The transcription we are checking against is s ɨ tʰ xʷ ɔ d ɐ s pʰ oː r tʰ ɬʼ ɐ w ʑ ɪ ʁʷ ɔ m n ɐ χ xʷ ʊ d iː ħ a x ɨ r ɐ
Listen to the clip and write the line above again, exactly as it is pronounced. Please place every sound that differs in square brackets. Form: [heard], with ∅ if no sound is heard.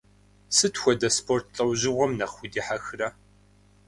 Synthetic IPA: s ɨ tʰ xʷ ɔ d ɐ s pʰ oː r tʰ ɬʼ ɐ w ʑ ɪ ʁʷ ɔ m n ɐ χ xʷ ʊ d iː ħ a x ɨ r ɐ